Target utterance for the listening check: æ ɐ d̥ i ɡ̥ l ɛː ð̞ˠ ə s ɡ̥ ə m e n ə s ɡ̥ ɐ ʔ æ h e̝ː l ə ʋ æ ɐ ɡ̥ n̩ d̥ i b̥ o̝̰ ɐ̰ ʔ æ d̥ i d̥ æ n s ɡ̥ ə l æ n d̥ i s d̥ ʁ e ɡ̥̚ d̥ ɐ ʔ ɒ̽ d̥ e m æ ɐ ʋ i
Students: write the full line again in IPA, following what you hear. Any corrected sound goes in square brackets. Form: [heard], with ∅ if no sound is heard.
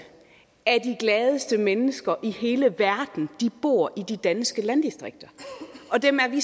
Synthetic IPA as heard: æ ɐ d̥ i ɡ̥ l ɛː ð̞ˠ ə s [d̥] ə m e n ə s ɡ̥ ɐ ʔ [i] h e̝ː l ə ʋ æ ɐ [d̥] n̩ d̥ i b̥ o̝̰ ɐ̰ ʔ [i] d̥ i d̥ æ n s ɡ̥ ə l æ n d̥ i s d̥ ʁ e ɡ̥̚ d̥ ɐ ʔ ɒ̽ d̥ e m æ ɐ ʋ i